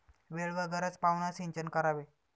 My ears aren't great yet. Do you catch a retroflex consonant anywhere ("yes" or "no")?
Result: yes